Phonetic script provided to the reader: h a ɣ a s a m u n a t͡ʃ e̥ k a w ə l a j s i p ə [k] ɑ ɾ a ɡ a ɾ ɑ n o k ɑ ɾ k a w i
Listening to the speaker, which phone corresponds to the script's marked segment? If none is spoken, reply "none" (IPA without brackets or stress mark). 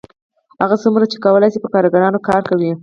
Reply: k